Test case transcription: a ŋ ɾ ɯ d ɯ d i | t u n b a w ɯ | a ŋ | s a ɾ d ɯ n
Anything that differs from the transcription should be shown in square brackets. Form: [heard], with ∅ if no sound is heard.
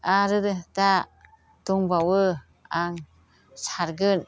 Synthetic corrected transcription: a [∅] ɾ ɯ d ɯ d [a] | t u [ŋ] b a w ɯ | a ŋ | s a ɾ [ɡ] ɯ n

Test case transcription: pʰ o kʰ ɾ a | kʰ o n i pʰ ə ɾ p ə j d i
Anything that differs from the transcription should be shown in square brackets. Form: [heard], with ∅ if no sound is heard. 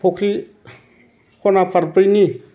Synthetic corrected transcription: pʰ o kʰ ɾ [i] | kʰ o n [a] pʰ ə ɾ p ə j [n] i

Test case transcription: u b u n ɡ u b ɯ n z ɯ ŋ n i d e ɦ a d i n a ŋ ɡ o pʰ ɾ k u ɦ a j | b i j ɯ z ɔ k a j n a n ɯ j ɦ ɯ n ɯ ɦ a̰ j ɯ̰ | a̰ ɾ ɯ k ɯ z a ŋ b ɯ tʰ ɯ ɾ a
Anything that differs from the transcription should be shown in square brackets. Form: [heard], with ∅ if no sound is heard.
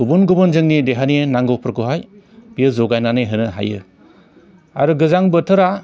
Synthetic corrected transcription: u b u n ɡ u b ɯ n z ɯ ŋ n i d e ɦ a [n] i n a ŋ ɡ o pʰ ɾ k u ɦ a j | b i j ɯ z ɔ [ɡ] a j n a n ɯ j ɦ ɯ n ɯ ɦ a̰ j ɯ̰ | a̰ ɾ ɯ [ɡ] ɯ z a ŋ b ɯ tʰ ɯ ɾ a

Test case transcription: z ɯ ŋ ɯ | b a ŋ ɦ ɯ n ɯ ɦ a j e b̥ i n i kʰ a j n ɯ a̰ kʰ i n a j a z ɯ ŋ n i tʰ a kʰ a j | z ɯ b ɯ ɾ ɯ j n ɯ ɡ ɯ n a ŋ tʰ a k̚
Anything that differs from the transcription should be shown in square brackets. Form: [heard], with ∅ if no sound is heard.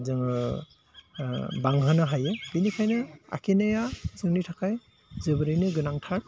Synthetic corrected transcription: z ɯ ŋ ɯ | b a ŋ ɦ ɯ n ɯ ɦ a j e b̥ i n i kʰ a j n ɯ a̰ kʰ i n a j a z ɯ ŋ n i tʰ a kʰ a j | z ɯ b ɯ ɾ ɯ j n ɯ ɡ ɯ n a ŋ tʰ a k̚

